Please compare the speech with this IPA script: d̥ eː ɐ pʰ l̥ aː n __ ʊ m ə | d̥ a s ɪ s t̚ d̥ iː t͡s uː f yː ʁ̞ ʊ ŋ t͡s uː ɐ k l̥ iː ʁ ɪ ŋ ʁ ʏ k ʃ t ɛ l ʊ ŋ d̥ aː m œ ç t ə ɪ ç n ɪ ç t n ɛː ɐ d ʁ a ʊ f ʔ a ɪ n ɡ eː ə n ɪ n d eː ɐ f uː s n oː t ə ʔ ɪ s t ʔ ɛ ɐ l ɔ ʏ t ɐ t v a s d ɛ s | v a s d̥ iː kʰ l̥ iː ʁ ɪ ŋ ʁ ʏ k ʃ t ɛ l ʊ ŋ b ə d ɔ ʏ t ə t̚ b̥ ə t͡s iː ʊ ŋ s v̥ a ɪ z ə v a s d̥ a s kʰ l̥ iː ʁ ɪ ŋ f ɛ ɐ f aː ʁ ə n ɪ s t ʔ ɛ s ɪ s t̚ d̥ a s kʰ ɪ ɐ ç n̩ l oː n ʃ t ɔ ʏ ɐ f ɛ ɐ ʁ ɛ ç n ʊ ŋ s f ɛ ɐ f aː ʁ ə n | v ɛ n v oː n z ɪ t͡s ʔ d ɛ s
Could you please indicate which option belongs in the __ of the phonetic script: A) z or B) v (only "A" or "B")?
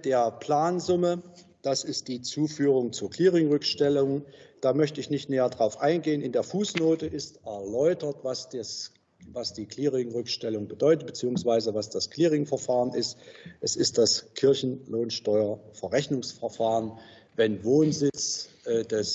A